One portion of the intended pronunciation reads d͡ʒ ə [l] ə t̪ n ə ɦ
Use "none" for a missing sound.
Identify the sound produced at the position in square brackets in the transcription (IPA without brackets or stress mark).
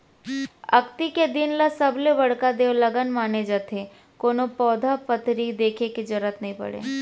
ɾ